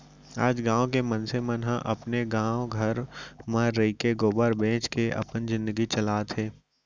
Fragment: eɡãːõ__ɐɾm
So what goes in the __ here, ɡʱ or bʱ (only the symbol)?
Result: ɡʱ